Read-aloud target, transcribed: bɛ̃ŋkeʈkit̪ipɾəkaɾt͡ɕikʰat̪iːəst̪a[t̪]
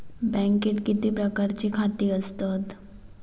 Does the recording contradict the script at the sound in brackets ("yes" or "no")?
no